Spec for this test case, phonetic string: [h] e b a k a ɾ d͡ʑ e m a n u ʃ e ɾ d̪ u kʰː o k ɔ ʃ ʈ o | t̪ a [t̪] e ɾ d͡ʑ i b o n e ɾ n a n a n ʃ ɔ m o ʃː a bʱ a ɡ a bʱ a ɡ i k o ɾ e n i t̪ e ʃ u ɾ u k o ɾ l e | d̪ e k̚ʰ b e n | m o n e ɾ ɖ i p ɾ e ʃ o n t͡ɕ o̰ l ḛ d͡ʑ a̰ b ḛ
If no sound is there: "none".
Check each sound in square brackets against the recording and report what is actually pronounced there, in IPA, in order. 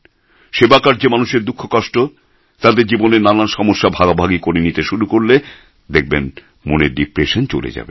ʃ, d̪

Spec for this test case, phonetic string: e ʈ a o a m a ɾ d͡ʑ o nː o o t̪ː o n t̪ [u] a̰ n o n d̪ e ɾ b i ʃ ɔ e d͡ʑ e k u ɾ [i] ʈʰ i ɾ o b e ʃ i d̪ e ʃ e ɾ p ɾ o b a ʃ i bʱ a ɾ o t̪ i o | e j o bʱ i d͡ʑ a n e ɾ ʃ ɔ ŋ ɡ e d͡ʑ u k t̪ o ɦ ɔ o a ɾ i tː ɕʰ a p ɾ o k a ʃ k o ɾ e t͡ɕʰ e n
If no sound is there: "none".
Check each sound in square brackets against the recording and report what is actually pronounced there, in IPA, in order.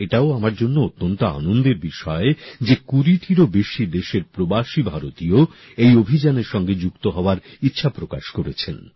o, i

